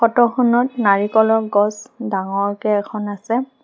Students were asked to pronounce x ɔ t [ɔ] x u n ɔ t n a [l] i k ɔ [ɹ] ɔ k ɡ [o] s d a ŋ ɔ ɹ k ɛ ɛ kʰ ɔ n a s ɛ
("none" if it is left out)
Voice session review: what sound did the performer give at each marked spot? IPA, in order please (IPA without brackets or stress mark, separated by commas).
ɔ, ɹ, l, ɔ